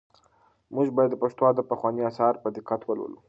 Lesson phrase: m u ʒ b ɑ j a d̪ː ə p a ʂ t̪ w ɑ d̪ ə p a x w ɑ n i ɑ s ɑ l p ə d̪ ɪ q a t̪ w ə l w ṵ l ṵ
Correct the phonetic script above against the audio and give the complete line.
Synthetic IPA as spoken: m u ʒ b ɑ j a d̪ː ə p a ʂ t̪ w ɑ d̪ ə p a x w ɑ n i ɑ s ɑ ɾ p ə d̪ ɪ q a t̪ w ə l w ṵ l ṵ